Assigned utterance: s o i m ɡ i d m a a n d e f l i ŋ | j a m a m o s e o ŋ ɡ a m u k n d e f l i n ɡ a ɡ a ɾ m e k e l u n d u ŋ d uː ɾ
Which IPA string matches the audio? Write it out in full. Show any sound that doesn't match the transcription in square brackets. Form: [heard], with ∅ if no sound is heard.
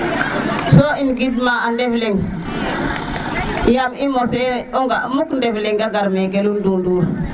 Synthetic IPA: s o i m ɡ i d m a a n d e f l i ŋ | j a m [i] m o s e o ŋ ɡ a m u k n d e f l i [ŋ] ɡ a ɡ a ɾ m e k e l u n d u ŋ d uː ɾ